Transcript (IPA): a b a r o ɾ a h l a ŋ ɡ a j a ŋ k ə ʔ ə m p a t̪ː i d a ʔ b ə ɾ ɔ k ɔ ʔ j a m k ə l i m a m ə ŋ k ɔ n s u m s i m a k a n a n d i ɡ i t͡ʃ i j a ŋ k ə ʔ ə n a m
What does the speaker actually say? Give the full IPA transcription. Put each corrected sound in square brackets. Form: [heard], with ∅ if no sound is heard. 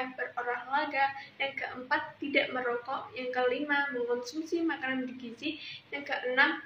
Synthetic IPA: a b [ə] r o ɾ a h l a [∅] ɡ a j a ŋ k ə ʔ ə m p a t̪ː i d a ʔ [m] ə ɾ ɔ k ɔ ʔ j a [ŋ] k ə l i m a m ə ŋ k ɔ n s u m s i m a k a n a n d i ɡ i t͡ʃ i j a ŋ k ə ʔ ə n a m